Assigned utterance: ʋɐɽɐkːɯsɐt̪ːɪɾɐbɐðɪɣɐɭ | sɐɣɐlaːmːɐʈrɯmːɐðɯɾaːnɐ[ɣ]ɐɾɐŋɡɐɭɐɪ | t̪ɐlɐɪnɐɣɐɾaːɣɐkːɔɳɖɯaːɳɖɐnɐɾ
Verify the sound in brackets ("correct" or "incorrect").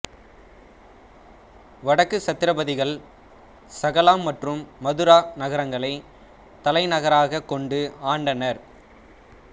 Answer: correct